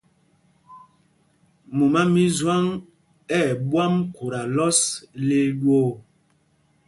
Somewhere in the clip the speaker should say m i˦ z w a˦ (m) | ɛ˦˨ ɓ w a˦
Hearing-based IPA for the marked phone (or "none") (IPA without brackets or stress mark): ŋ